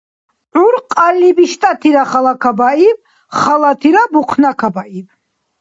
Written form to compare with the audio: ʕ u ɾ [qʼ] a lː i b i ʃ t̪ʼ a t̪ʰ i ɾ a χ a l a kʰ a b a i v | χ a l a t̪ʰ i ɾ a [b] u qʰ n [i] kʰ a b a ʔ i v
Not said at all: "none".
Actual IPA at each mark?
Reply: qʼ, b, a

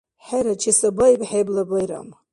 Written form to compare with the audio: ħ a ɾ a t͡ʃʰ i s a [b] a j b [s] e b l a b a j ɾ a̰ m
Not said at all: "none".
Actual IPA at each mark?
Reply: b, ħ

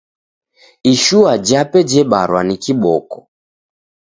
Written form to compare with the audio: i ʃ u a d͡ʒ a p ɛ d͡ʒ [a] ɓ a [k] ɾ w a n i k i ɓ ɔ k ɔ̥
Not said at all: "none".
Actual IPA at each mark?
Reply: ɛ, none

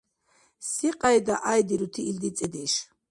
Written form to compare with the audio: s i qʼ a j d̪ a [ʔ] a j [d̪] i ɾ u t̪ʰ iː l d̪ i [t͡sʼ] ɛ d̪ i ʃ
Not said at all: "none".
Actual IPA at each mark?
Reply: ʔ, d̪, t͡sʼ

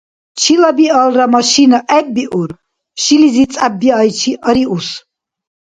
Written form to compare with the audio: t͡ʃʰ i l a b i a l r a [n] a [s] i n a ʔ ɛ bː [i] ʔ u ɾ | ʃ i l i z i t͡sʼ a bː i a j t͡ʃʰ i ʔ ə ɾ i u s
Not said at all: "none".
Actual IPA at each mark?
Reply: m, ʃ, i

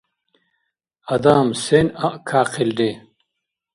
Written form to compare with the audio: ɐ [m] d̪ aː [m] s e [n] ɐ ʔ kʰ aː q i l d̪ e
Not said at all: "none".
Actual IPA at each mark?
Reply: none, m, n

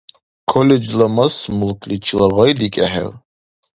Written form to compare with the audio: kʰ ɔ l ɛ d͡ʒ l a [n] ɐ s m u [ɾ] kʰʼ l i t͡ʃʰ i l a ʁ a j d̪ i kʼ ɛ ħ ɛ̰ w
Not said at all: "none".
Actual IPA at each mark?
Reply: m, l

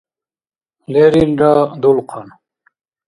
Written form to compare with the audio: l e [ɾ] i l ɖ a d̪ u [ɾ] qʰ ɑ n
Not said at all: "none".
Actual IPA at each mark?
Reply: ɾ, l

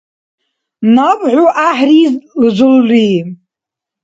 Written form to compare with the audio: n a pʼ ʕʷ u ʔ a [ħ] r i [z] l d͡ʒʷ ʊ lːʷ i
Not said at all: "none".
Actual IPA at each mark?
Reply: ħ, z

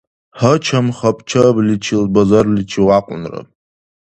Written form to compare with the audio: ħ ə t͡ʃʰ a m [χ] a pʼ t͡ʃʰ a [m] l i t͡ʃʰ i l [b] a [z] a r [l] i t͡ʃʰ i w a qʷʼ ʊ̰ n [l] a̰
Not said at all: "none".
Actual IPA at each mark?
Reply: χ, b, b, z, l, r

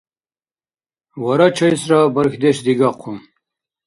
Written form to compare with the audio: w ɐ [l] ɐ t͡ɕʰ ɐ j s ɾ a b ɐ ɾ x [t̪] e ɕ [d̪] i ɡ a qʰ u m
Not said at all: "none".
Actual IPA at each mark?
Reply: ɾ, d̪, d̪

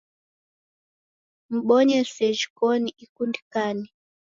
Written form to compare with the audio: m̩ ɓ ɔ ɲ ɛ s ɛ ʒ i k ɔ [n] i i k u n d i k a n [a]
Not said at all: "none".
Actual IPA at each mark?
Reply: n, i

